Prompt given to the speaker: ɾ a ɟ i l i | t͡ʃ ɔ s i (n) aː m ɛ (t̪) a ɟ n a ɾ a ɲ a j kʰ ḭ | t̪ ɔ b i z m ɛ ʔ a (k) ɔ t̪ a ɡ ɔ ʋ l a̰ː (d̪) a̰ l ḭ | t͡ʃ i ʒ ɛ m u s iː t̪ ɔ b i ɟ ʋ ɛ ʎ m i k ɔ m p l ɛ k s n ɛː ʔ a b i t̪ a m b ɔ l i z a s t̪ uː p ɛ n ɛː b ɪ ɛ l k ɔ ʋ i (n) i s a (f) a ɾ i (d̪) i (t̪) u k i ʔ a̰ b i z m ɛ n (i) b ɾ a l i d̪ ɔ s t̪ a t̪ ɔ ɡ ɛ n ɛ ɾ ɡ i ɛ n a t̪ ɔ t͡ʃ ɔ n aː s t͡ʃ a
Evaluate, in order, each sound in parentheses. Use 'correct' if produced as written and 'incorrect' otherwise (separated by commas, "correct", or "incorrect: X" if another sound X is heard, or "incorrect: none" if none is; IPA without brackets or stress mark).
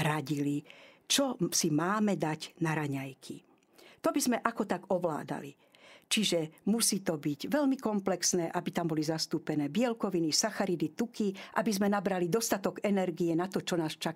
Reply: incorrect: m, incorrect: d̪, correct, correct, correct, incorrect: x, correct, correct, incorrect: a